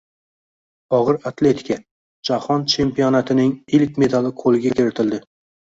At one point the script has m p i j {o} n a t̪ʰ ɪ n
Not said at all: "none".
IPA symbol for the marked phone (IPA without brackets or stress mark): ɒ